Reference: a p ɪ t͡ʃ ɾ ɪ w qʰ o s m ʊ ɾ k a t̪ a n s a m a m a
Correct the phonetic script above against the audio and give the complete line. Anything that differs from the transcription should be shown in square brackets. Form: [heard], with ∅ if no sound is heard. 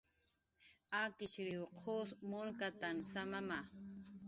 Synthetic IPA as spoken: a [k] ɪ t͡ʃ ɾ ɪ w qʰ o s m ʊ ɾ k a t̪ a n s a m a m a